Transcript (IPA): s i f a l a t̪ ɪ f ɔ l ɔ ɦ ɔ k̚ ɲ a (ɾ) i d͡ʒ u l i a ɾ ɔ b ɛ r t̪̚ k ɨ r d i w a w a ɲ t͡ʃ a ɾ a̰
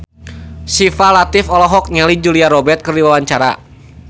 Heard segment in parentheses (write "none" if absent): l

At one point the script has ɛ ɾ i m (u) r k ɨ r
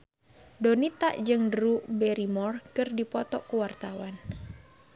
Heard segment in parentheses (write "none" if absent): ɔ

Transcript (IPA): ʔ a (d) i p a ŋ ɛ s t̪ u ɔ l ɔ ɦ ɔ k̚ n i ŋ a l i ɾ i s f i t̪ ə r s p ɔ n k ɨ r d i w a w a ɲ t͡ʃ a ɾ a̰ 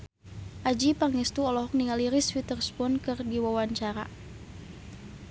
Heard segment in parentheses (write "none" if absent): d͡ʒ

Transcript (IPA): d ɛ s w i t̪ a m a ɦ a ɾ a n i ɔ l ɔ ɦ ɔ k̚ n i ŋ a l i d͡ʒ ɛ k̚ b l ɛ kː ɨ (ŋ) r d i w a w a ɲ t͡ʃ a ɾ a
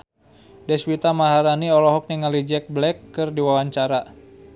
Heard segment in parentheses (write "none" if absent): none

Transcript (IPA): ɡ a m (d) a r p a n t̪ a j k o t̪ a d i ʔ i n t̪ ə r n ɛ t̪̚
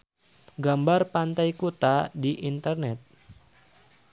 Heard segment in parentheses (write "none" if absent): b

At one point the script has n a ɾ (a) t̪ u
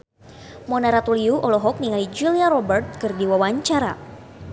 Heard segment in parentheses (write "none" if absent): a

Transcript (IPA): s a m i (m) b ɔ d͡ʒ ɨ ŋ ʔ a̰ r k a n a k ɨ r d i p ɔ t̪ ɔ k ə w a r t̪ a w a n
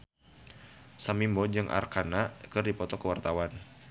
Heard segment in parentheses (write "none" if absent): m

